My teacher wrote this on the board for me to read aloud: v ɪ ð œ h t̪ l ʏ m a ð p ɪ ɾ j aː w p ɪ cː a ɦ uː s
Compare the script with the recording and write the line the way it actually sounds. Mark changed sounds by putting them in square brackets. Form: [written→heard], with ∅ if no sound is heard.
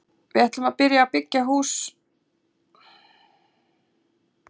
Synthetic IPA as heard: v ɪ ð [œ→ɛ] h t̪ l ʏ m a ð p ɪ ɾ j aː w p ɪ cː a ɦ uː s

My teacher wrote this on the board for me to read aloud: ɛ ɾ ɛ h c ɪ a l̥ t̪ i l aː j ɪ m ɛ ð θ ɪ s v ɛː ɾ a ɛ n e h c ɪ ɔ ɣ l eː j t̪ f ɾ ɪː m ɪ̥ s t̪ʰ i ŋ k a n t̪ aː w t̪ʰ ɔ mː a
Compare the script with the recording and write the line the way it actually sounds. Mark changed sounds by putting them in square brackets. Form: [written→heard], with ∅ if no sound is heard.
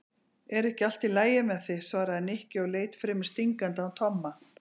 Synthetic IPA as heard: ɛ ɾ ɛ h c ɪ a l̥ t̪ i l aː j ɪ m ɛ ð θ ɪ s v [ɛː→aː] ɾ a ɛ n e h c ɪ ɔ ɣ l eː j t̪ f ɾ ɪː m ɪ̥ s [t̪ʰ→t̪] i ŋ k a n t̪ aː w t̪ʰ ɔ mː a

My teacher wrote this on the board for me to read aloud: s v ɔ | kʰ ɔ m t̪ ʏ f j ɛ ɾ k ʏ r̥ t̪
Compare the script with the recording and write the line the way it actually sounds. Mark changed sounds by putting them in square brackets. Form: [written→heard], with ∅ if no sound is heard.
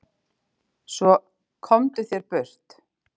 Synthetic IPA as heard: s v ɔ | kʰ ɔ m t̪ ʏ [f→θ] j ɛ ɾ [k→p] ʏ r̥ t̪

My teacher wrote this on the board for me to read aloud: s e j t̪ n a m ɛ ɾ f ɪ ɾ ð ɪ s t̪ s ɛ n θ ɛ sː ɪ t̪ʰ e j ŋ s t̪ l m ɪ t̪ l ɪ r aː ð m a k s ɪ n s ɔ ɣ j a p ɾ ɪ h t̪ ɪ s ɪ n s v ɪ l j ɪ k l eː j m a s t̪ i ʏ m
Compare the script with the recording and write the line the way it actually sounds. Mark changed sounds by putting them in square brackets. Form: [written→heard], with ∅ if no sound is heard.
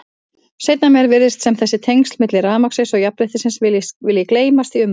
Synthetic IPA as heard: s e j t̪ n a m ɛ ɾ [f→v] ɪ ɾ ð ɪ s t̪ s ɛ [n→m] θ ɛ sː ɪ t̪ʰ e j ŋ s t̪ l m ɪ t̪ l ɪ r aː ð m a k s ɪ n s ɔ ɣ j a p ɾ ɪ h t̪ ɪ s ɪ n s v ɪ l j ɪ k l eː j m a s t̪ i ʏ m

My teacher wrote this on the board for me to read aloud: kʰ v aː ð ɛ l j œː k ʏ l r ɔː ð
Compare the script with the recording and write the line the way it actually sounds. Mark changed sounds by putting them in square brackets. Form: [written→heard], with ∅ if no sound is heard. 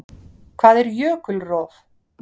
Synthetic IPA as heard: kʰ v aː ð ɛ [l→ɾ] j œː k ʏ l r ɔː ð

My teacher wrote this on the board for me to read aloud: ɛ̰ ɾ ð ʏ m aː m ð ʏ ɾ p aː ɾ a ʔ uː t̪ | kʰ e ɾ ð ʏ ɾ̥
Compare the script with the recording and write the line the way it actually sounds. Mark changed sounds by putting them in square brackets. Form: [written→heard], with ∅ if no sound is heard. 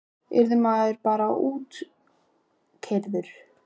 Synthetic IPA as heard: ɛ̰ ɾ ð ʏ m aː [m→∅] ð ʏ ɾ p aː ɾ a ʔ uː t̪ | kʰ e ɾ ð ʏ ɾ̥

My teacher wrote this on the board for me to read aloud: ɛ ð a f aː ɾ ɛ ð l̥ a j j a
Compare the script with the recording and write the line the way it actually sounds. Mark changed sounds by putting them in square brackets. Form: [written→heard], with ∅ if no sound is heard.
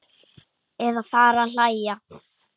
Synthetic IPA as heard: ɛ ð a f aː ɾ [ɛ→a] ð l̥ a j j a

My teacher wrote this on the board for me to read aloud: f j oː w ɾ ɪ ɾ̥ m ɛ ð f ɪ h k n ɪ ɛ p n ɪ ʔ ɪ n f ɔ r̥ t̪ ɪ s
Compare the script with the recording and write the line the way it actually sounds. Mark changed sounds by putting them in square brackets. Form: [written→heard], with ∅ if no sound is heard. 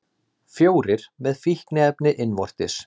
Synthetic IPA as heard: f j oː w ɾ ɪ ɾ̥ m ɛ ð f [ɪ→i] h k n ɪ ɛ p n ɪ ʔ ɪ n [f→v] ɔ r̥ t̪ ɪ s

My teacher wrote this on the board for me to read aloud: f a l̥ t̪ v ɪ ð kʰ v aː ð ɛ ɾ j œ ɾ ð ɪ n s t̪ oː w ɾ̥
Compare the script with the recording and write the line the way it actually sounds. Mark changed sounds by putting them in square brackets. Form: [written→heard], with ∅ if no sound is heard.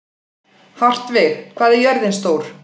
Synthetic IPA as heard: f a [l̥→r̥] t̪ v ɪ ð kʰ v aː ð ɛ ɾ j œ ɾ ð ɪ n s t̪ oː w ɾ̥

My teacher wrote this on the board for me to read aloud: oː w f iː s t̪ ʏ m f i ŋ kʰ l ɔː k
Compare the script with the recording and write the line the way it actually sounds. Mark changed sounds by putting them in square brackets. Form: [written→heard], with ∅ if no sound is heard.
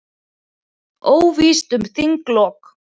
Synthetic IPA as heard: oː w [f→v] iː s t̪ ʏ m [f→θ] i ŋ [kʰ→k] l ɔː k

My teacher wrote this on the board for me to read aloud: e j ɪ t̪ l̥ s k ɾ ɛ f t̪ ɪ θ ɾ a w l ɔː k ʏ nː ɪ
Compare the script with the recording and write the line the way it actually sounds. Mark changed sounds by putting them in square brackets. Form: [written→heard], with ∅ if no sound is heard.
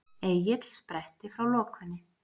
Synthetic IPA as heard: e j ɪ t̪ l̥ s [k→p] ɾ ɛ [f→h] t̪ ɪ [θ→f] ɾ a w l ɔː k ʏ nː ɪ

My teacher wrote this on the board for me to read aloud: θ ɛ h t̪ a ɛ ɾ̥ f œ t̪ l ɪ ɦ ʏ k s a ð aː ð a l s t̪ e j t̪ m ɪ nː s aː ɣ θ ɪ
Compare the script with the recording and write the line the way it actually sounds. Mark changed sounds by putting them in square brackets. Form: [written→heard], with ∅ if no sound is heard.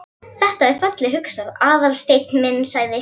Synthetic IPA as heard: θ ɛ h t̪ a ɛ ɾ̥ f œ t̪ l ɪ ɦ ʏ k s a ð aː ð a l s t̪ e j t̪ m ɪ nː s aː ɣ [θ→ð] ɪ

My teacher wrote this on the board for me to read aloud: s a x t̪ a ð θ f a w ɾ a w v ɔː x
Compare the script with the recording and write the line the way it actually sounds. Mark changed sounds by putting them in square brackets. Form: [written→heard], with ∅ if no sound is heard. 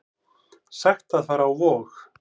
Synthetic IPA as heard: s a x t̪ a ð θ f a [w→∅] ɾ a w v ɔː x

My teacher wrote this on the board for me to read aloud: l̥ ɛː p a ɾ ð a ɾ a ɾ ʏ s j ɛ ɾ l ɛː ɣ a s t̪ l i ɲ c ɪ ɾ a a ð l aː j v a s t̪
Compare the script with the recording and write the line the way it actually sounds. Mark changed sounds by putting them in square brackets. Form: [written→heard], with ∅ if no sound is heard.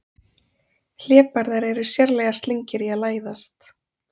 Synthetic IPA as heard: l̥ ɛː p a ɾ ð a ɾ [a→ɛ] ɾ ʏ s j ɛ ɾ l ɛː ɣ a s t̪ l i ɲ c ɪ ɾ [a→i] a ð l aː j [v→ð] a s t̪

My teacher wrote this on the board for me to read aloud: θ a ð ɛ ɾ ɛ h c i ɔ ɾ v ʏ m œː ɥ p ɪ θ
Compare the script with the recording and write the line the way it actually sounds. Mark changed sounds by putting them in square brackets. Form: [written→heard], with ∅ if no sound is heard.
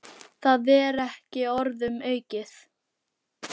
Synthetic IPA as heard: θ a ð ɛ ɾ ɛ h c [i→ɪ] ɔ ɾ [v→ð] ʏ m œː ɥ [p→c] ɪ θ

